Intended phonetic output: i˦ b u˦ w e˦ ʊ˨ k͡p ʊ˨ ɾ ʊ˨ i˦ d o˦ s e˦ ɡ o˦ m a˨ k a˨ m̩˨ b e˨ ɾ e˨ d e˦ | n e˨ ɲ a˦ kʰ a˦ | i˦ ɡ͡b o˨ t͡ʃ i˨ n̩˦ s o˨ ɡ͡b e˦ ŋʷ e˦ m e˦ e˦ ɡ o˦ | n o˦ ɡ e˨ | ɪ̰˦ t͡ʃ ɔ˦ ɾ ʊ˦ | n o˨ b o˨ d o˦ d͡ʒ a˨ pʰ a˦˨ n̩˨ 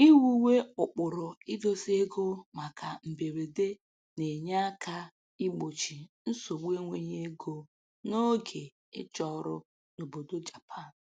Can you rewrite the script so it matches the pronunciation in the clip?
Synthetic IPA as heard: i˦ w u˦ w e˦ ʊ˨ k͡p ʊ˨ ɾ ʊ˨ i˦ d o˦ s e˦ ɡ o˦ m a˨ k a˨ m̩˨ b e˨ ɾ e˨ d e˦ | n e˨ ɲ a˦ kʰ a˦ | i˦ ɡ͡b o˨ t͡ʃ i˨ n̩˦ s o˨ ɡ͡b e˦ ŋʷ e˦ ɲ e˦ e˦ ɡ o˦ | n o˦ ɡ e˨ | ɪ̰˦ t͡ʃ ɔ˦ ɾ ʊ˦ | n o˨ b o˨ d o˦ d͡ʒ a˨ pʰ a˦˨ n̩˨